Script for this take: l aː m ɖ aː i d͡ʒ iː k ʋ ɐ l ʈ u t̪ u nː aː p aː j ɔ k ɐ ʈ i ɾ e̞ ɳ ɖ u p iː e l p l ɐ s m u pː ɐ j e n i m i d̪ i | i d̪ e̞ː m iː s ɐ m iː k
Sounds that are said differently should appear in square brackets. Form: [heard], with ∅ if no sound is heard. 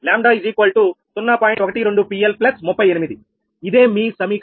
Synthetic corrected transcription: l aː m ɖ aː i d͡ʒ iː k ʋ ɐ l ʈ u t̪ u nː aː p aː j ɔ k ɐ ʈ i ɾ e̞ ɳ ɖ u p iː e l p l ɐ s m u pː ɐ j e n i m i d̪ i | i d̪ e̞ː m iː s ɐ m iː k